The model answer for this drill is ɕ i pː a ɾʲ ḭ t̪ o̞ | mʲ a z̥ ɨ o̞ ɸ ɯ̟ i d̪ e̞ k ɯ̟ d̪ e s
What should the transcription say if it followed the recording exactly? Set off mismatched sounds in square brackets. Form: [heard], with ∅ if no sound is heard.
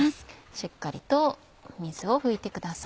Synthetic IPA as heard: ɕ i [kː] a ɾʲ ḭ t̪ o̞ | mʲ [i] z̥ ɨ o̞ ɸ ɯ̟ i [t̪] e̞ k ɯ̟ d̪ [a] s